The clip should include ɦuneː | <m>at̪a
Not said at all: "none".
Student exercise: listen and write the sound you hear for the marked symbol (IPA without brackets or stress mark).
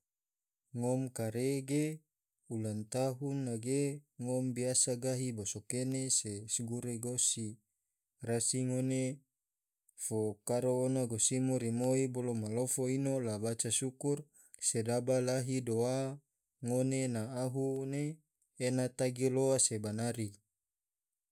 n